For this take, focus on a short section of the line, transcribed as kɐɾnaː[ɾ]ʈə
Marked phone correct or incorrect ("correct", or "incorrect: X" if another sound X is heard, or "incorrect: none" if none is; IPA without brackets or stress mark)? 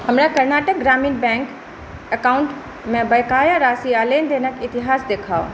incorrect: none